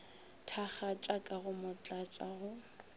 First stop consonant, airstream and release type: aspirated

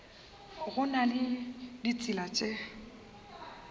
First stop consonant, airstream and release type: plain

